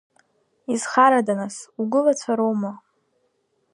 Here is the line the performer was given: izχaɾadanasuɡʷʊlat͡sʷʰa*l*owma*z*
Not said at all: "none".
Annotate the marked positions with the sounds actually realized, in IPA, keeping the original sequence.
ɾ, none

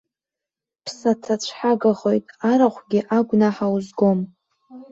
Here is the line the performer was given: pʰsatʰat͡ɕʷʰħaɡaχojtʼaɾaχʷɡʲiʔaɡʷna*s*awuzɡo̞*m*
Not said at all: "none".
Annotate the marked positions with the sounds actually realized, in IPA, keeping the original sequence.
ħ, m

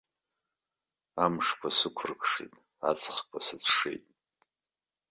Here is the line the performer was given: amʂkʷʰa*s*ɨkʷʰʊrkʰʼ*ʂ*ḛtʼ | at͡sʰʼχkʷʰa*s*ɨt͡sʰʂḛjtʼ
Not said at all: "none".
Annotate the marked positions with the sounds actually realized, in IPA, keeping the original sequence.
s, ʂ, s

